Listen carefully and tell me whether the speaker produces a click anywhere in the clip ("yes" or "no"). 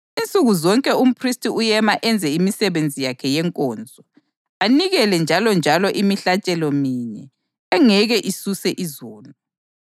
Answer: no